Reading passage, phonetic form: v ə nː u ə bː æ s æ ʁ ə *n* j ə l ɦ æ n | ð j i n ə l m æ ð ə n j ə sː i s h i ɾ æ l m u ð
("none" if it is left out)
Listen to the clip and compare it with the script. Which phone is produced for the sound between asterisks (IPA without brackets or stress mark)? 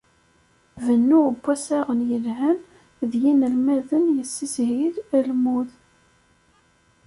n